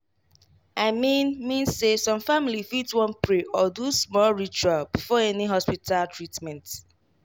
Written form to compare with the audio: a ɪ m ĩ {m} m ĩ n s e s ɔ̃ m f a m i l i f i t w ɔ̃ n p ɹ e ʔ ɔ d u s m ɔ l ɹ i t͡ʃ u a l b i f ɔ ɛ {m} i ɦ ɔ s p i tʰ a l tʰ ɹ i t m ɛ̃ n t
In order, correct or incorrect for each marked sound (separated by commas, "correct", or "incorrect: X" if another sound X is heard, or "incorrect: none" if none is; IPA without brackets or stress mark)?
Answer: incorrect: n, incorrect: n